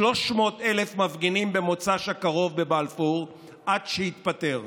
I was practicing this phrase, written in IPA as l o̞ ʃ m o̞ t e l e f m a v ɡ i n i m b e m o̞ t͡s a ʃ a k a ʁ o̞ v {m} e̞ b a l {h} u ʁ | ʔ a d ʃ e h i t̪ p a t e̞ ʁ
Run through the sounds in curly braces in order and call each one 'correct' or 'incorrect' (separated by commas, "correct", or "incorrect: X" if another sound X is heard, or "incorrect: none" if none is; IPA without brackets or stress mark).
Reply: incorrect: b, incorrect: f